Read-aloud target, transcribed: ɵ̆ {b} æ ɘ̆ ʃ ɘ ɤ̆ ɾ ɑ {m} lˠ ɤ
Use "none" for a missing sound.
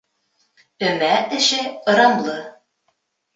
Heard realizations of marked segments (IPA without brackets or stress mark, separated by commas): m, m